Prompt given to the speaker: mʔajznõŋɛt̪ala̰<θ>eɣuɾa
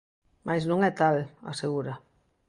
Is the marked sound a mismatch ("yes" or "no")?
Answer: yes